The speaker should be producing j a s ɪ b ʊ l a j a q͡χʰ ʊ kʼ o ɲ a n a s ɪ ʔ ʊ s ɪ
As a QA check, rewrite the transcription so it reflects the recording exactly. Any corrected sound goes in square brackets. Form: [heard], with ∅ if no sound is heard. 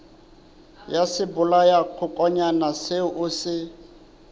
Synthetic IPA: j a s ɪ b ʊ l a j a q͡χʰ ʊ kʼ [ɔ] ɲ a n a s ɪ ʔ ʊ s ɪ